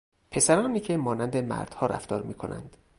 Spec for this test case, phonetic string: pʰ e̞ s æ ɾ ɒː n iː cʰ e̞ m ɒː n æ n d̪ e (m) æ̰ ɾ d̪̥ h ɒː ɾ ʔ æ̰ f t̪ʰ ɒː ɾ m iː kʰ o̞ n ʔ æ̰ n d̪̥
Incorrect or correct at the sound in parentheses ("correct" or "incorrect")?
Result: correct